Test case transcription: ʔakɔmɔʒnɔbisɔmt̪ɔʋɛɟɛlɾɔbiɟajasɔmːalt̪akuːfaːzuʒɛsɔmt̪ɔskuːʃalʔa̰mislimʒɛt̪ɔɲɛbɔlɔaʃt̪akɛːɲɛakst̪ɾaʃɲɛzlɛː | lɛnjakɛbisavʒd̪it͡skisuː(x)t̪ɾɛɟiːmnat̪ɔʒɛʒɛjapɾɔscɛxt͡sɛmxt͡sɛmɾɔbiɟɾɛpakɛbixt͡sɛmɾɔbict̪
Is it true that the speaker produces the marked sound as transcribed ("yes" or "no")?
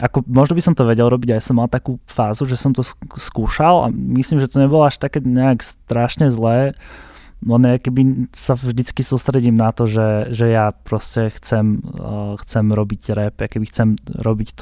no